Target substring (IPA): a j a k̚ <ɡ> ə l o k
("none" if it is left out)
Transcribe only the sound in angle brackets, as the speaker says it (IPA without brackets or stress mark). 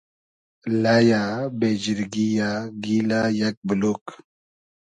b